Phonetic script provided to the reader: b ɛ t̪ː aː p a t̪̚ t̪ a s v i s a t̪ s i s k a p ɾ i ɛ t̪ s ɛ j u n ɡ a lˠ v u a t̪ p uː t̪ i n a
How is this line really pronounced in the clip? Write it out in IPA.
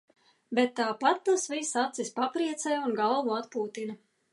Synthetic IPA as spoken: b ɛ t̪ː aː p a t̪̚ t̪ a s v i s a t̪ s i s p a p ɾ i ɛ t̪ s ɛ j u n ɡ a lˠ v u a t̪ p uː t̪ i n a